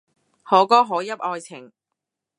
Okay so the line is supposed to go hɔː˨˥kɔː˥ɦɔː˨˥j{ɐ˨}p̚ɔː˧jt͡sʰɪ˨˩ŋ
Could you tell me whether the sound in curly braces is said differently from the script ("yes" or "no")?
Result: yes